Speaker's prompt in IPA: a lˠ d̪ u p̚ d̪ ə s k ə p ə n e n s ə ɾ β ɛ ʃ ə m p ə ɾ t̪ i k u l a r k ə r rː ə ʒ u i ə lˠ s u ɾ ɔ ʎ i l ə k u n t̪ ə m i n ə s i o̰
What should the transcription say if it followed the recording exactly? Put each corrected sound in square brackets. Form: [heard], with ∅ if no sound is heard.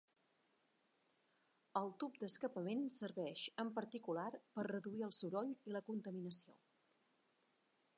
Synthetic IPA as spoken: [ə] lˠ [t̪] u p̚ d̪ ə s k ə p ə [m] e n s ə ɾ β ɛ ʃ ə m p ə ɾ t̪ i k u l a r [p] ə r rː ə [ð] u i ə lˠ s u ɾ ɔ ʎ i l ə k u n t̪ ə m i n ə s i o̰